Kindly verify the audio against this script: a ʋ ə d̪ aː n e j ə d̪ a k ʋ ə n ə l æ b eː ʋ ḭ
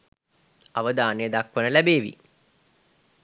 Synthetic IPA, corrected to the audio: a ʋ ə d̪ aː n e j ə d̪ a k ʋ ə n ə l æ b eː ʋ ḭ